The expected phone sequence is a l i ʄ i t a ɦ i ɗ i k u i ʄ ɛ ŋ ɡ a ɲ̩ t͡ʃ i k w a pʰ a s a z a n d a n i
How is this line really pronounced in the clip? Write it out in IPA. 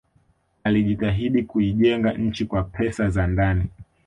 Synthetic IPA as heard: a l i ʄ i t a ɦ i ɗ i k u i ʄ ɛ ŋ ɡ a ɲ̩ t͡ʃ i k w a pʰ ɛ s a z a n d a n i